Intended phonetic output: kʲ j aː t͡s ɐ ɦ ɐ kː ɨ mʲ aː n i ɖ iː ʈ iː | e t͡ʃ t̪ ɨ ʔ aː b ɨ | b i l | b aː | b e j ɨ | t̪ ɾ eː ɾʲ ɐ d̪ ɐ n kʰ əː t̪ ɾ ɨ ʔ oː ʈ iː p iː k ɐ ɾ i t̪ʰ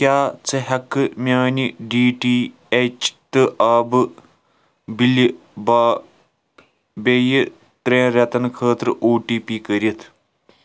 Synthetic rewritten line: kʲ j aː t͡s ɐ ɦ ɐ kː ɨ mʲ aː n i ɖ iː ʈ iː | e t͡ʃ t̪ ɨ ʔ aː b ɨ | b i l | b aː | b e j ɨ | t̪ ɾ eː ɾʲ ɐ t̪ ɐ n kʰ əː t̪ ɾ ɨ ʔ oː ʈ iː p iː k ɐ ɾ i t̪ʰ